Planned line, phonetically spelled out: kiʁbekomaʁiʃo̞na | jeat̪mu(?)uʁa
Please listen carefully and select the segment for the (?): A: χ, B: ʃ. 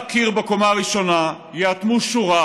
B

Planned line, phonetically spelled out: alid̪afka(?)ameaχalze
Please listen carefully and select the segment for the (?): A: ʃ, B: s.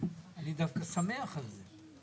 B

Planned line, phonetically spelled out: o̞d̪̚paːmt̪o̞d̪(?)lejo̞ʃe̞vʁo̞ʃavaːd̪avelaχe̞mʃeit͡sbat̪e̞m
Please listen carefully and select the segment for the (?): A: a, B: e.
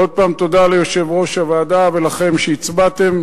A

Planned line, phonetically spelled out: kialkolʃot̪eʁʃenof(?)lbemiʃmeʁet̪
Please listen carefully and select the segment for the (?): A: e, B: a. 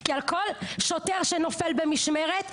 A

